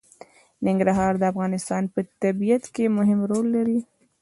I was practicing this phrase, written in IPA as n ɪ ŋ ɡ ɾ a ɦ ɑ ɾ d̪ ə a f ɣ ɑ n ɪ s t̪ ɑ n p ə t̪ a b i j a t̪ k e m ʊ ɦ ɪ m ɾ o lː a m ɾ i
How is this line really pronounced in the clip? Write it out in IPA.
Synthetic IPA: n ɪ ŋ ɡ ɾ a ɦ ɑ ɾ d̪ ə a f ɣ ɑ n ɪ s t̪ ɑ n p ə t̪ a b i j a t̪ k e m ʊ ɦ ɪ m ɾ o lː a ɾ i